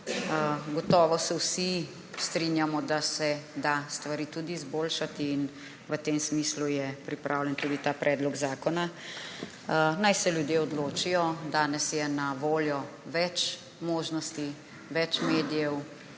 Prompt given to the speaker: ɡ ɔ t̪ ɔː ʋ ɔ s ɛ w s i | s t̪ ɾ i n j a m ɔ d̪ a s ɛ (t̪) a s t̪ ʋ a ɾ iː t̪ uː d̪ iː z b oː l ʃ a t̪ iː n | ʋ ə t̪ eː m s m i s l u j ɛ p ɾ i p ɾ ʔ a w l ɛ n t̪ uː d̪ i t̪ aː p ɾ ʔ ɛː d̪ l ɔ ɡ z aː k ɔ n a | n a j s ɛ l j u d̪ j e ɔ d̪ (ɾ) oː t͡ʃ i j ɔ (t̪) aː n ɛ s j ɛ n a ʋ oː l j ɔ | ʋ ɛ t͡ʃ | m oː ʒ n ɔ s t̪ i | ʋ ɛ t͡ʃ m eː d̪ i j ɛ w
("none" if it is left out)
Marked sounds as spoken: d̪, l, d̪

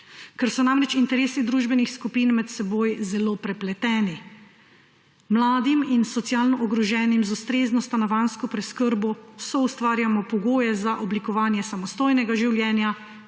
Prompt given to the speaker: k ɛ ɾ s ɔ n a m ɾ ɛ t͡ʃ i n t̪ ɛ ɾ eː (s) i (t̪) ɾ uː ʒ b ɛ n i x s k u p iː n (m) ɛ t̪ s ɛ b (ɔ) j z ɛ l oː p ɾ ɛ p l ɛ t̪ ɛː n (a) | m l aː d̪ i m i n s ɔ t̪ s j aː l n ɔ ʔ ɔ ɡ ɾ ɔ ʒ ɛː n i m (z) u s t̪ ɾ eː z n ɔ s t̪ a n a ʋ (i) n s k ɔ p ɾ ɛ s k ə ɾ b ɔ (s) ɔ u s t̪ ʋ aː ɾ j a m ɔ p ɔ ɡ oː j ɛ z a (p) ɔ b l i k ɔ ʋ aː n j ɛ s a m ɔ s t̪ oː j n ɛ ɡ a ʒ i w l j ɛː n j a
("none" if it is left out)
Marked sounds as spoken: s, d̪, m, o, i, z, a, s, ʔ

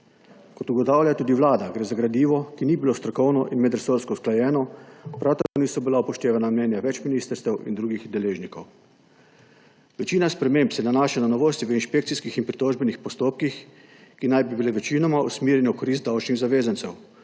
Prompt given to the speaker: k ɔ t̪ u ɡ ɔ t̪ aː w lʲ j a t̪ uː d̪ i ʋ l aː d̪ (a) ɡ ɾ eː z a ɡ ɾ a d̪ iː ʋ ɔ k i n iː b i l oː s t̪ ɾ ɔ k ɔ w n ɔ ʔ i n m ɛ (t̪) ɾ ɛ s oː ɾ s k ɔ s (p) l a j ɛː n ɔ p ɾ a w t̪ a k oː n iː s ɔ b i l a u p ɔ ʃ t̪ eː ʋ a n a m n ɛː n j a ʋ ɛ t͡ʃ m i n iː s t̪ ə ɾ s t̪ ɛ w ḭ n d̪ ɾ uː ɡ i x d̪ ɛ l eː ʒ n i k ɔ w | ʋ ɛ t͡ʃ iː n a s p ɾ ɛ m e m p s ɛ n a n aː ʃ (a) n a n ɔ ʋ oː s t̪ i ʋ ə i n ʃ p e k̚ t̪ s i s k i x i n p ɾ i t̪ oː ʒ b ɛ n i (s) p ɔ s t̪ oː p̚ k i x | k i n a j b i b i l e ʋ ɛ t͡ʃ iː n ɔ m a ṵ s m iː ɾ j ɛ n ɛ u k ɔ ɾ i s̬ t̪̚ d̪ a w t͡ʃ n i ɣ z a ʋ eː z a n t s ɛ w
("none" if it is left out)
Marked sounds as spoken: a, d̪, k, a, x

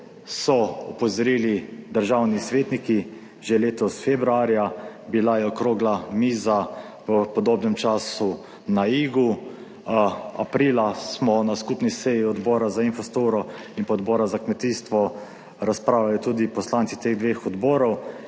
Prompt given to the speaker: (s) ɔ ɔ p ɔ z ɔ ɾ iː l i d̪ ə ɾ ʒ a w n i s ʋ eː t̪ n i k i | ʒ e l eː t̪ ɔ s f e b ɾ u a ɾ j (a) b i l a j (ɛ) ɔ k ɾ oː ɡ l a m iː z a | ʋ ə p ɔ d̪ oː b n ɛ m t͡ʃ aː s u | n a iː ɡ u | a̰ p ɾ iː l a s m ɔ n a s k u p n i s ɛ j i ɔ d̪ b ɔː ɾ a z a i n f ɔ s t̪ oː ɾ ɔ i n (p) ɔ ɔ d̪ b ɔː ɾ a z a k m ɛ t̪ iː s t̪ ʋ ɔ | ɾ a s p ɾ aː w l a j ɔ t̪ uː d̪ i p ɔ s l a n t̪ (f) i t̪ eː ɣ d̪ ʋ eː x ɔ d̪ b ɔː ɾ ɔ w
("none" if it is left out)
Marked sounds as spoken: s, a, ɛ, p, s

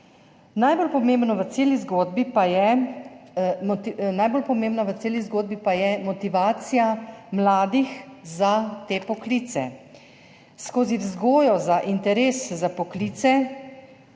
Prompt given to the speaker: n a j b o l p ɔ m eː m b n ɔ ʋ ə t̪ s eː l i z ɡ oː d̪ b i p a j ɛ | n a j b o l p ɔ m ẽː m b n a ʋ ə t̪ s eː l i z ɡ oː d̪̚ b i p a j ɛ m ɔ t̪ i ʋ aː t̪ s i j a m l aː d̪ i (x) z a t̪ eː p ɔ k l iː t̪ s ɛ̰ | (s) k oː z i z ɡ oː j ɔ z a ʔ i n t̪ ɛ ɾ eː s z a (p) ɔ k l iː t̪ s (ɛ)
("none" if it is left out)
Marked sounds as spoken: x, s, p, ɛ

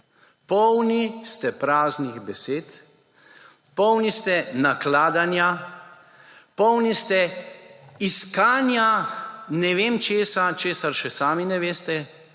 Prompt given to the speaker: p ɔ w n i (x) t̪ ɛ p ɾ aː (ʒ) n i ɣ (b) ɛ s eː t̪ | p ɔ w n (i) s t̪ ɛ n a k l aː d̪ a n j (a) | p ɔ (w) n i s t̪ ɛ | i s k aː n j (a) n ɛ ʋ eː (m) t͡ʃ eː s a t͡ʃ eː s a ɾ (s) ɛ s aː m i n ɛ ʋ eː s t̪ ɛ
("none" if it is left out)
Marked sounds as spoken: s, z, b, i, a, w, a, m, ʃ

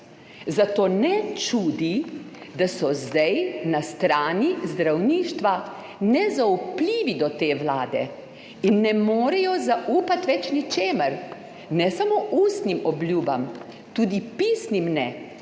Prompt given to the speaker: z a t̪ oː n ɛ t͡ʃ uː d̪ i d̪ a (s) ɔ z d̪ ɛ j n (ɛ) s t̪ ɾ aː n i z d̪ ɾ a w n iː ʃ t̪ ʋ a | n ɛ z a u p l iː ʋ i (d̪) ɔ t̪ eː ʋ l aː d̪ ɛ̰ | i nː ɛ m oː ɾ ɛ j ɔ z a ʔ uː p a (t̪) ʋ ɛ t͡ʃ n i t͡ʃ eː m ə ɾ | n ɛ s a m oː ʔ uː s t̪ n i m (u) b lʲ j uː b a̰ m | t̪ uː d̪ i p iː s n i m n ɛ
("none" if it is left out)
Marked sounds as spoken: s, a, d̪, t̪, ɔ

